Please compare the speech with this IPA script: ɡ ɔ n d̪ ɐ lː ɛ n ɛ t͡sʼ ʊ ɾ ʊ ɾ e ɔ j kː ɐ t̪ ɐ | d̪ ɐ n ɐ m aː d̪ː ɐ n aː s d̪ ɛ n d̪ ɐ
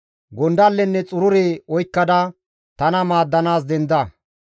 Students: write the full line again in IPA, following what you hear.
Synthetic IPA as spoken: ɡ ɔ n d̪ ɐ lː ɛ nː ɛ t͡sʼ ʊ ɾ ʊ ɾ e ɔ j kː ɐ d̪ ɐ | t̪ ɐ n ɐ m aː d̪ː ɐ n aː s d̪ ɛ n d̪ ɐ